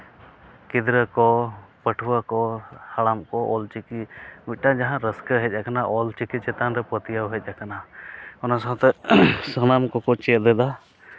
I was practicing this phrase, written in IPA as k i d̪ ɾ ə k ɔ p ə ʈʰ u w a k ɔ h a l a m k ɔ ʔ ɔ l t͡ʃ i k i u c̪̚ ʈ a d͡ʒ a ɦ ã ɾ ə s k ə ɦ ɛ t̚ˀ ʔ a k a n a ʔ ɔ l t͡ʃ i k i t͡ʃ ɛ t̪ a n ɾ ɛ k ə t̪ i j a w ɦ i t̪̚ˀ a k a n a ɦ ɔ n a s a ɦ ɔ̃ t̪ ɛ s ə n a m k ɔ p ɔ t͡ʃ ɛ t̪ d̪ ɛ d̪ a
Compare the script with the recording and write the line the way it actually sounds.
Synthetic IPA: k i d̪ ɾ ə k ɔ p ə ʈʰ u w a k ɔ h a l a m k ɔ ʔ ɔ l t͡ʃ i k i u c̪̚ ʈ a d͡ʒ a ɦ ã ɾ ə s k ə ɦ ɛ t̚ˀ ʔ a k a n a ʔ ɔ l t͡ʃ i k i t͡ʃ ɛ t̪ a n ɾ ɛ p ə t̪ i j a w ɦ ɛ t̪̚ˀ a k a n a ɔ n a s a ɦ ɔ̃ t̪ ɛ s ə n a m k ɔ k ɔ t͡ʃ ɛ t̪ d̪ ɛ d̪ a